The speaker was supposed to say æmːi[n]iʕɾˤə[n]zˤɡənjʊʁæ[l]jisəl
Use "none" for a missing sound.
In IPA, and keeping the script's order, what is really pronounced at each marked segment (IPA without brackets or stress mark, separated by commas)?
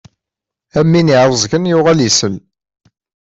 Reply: n, none, l